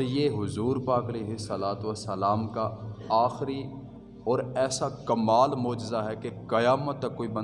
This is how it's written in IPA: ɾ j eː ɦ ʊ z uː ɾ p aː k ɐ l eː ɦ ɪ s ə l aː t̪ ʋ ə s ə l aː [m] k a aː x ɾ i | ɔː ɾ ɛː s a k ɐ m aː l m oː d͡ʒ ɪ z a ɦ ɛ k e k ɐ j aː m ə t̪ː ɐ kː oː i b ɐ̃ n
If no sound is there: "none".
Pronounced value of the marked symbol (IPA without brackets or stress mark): m